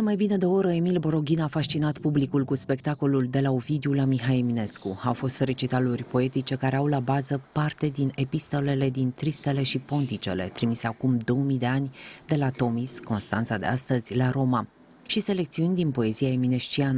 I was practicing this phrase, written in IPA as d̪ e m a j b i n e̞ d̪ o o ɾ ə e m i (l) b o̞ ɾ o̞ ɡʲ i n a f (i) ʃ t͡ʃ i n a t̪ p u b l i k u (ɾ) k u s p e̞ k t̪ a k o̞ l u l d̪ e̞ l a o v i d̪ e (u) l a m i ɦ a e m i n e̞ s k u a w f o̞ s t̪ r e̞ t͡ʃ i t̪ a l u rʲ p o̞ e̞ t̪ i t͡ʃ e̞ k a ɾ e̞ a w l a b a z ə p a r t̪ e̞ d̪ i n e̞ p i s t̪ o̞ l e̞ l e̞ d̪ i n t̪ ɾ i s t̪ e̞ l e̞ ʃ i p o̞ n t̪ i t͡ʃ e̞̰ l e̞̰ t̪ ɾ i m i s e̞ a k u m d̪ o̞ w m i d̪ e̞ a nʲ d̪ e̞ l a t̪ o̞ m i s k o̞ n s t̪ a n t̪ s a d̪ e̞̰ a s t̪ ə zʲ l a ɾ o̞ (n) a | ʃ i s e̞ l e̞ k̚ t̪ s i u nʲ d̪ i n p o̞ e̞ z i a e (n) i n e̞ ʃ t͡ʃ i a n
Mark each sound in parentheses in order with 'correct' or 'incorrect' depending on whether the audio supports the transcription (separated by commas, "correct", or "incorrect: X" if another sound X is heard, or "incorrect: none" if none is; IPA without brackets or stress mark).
correct, incorrect: a, incorrect: l, correct, incorrect: m, incorrect: m